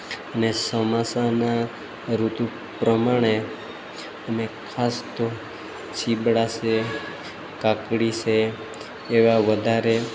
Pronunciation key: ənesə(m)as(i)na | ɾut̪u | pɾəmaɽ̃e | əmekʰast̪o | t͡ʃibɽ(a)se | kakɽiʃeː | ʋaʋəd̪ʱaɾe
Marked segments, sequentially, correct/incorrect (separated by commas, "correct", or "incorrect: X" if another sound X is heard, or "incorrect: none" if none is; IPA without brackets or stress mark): correct, incorrect: a, correct